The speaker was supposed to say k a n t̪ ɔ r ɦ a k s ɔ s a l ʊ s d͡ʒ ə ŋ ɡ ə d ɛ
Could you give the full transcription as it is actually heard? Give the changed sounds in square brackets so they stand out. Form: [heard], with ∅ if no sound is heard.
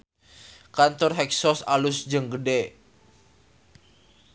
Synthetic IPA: k a n t̪ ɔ r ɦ [ɛ] k s ɔ s a l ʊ s d͡ʒ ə ŋ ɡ ə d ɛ